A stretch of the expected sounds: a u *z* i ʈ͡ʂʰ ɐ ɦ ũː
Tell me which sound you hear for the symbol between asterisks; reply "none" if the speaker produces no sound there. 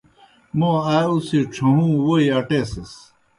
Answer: s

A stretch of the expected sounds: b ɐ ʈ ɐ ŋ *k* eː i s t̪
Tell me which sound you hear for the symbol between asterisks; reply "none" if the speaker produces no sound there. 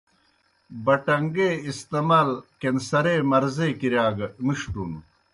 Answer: ɡ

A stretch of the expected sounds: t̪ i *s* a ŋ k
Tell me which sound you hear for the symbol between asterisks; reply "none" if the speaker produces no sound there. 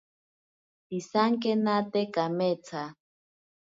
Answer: s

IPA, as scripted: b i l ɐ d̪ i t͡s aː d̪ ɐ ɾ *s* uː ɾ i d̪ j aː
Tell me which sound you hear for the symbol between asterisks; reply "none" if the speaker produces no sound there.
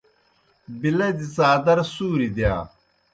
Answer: s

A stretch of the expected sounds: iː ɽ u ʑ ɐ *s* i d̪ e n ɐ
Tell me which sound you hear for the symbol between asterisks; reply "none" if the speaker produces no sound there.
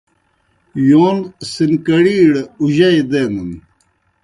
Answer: none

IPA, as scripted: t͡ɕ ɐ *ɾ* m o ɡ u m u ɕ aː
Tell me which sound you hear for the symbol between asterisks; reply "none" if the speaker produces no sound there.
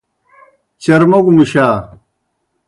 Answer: ɾ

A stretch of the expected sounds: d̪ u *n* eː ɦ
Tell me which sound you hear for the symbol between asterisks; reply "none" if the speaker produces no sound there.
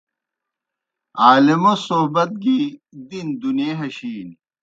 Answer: n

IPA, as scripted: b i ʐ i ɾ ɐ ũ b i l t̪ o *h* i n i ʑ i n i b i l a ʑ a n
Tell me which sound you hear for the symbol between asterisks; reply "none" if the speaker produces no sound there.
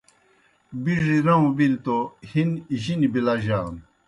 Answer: h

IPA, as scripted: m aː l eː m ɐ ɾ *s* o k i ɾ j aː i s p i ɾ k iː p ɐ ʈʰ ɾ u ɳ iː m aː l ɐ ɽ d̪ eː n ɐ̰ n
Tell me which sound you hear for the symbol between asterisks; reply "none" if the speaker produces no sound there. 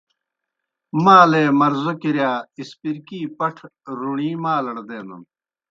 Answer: z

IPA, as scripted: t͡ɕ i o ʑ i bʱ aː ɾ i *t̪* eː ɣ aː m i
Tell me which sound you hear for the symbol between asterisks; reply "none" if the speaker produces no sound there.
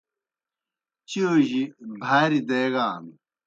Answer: d̪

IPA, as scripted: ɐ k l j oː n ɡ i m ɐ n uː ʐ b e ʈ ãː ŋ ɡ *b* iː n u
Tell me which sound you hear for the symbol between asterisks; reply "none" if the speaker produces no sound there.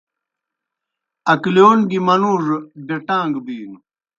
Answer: b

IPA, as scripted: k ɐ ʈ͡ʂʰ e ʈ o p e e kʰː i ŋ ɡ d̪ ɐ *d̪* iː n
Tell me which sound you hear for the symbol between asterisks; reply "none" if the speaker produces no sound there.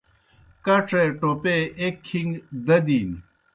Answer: d̪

